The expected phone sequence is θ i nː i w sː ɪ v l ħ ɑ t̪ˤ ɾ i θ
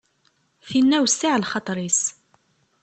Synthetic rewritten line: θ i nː æ w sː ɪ ʕ l χ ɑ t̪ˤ ɾ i s

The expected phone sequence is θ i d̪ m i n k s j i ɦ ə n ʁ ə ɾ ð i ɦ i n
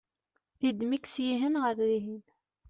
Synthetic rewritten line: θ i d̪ m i k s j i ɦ ə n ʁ ə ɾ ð i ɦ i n

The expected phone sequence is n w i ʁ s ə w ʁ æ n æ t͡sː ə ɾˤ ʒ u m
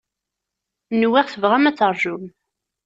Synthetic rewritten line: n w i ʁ θ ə v ʁ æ m æ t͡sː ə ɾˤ ʒ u m

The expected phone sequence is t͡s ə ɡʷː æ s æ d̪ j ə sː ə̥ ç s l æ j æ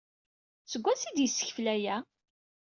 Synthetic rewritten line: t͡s ə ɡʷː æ s i d̪ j ə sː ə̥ ç f l æ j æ

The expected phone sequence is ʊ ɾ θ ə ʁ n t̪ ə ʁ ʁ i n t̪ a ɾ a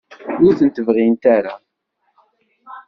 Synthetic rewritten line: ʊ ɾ θ ə n t̪ ə v ʁ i n t̪ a ɾ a

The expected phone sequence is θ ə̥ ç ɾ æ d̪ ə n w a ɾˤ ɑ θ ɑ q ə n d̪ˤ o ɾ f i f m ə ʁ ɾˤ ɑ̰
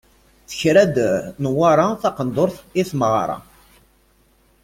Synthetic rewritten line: θ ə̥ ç ɾ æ d̪ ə n w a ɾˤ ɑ θ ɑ q ə n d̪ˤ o ɾ θ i θ m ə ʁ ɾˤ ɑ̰

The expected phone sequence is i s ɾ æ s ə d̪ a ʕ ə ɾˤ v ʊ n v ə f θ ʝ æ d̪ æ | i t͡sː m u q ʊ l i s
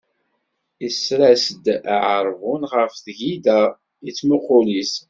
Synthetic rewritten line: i s ɾ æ s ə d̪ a ʕ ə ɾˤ v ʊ n ʁ ə f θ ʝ i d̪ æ | i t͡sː m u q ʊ l i s

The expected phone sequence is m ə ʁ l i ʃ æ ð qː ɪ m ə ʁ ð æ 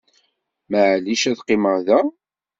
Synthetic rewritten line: m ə ʕ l i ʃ æ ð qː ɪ m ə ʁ ð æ

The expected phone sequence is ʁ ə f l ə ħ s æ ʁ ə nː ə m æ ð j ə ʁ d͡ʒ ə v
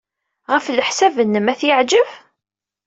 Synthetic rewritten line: ʁ ə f l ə ħ s æ v ə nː ə m æ θ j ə ʕ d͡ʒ ə v

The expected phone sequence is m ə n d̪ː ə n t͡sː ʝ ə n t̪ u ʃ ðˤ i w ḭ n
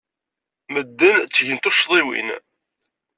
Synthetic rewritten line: m ə d̪ː ə n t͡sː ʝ ə n t̪ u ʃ ðˤ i w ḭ n

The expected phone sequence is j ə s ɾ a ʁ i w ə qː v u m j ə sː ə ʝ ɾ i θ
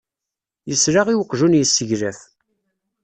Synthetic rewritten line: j ə s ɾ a ʁ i w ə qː ʒ u n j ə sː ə ʝ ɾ æ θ

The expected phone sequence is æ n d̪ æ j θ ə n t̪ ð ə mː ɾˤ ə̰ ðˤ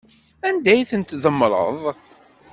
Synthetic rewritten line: æ n d̪ æ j θ ə n t̪ ð ə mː ɾˤ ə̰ ðˤ

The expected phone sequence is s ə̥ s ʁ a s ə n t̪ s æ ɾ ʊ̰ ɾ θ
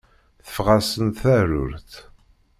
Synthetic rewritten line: θ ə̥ f ʁ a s ə n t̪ θ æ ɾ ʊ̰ ɾ θ

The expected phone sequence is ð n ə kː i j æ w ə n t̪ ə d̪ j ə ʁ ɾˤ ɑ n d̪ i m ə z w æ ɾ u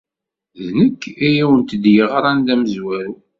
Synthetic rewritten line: ð n ə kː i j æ w ə n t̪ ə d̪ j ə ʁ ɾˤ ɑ n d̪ æ m ə z w æ ɾ u

